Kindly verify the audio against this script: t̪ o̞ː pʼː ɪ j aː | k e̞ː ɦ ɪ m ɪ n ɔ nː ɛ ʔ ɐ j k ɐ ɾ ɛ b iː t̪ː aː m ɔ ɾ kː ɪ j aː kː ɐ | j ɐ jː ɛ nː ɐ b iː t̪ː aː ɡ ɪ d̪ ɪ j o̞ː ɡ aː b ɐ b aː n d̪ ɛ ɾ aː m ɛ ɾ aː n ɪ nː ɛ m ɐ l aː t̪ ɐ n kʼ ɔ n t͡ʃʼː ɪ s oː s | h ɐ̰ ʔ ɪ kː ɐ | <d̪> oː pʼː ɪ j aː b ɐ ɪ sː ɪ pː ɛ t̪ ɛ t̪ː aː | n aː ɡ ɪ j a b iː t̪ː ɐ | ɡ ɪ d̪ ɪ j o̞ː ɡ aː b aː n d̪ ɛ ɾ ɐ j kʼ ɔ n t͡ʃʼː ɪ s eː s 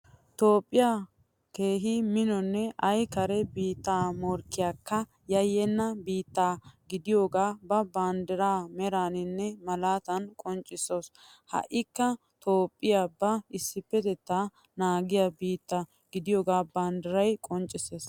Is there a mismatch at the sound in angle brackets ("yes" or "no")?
yes